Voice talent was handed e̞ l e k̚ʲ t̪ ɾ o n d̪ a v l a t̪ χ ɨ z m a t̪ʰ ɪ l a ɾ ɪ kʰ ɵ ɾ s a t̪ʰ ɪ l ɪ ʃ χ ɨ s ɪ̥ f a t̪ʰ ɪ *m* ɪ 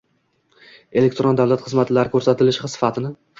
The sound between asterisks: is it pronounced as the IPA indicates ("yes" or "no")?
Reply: no